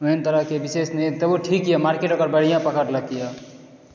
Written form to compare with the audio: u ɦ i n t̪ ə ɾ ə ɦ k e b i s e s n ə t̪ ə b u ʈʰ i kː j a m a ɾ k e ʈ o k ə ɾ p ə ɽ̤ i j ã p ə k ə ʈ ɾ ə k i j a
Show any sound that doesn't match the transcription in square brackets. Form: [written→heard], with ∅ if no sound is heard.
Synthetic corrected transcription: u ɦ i n t̪ ə ɾ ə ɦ k e b i s e s n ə t̪ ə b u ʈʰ i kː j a m a ɾ k e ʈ o k ə ɾ [p→b] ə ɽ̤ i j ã p ə k ə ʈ [ɾ→l] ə k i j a